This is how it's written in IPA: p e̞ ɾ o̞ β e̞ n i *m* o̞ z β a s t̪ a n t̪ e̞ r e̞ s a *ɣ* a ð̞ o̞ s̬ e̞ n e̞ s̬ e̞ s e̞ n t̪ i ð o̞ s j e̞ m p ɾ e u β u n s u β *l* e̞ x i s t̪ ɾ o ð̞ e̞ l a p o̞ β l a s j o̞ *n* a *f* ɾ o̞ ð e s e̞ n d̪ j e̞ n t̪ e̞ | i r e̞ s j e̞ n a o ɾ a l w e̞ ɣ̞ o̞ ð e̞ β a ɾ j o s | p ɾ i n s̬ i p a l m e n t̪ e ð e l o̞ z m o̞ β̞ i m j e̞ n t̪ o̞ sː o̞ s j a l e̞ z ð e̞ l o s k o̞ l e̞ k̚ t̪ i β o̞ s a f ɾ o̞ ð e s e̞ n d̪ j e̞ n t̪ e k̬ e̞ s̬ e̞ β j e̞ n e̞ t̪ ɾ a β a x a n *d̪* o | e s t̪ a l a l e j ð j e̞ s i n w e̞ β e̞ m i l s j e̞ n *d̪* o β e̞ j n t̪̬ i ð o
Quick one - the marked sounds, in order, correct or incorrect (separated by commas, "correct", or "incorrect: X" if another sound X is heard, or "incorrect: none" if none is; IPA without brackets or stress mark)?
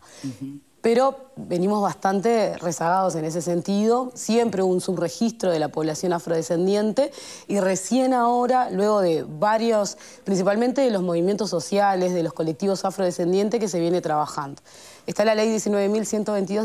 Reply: correct, correct, incorrect: r, correct, correct, correct, incorrect: t̪